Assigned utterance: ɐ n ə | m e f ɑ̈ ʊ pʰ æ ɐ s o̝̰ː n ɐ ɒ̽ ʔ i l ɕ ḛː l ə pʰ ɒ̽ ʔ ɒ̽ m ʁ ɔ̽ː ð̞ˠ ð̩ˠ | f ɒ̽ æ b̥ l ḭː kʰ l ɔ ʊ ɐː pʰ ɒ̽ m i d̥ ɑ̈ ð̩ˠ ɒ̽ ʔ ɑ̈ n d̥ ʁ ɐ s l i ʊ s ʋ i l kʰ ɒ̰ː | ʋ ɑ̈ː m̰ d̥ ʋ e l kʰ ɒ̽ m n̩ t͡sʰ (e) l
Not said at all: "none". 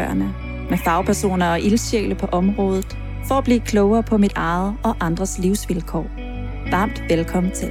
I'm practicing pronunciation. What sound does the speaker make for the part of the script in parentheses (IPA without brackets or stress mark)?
e